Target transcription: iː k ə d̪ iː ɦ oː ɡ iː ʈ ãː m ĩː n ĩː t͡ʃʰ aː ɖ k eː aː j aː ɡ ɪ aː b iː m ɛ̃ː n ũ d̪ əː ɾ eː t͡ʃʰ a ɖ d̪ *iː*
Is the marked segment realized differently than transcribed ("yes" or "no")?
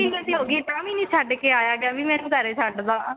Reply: yes